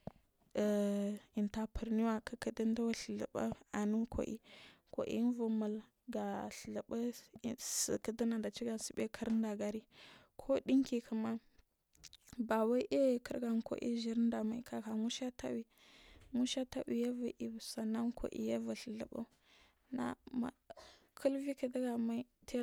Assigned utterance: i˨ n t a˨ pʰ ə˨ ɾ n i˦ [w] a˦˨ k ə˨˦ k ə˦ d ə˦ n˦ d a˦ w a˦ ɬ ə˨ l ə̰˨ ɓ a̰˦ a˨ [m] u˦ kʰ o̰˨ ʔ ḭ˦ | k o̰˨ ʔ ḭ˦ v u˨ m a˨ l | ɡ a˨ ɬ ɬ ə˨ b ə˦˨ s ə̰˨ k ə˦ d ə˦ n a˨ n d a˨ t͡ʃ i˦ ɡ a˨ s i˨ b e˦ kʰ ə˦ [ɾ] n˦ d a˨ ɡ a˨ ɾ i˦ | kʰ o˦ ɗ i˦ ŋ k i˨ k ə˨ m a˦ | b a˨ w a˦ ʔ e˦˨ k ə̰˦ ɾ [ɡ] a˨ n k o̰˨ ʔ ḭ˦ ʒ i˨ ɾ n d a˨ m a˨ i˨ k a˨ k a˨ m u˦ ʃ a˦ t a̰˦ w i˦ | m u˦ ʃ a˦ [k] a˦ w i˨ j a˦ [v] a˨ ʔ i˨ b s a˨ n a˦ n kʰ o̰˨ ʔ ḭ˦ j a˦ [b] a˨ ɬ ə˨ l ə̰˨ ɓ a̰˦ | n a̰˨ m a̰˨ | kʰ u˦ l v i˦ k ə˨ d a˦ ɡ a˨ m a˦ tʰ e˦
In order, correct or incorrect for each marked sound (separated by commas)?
correct, incorrect, correct, correct, incorrect, correct, incorrect